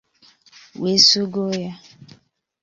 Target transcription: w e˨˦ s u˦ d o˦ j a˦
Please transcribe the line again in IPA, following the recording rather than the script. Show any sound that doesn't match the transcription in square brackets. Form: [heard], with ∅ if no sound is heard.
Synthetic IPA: w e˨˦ s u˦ [ɡ] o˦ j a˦